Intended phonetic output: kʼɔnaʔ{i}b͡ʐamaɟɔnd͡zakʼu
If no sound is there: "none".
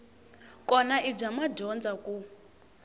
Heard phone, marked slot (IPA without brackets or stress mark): i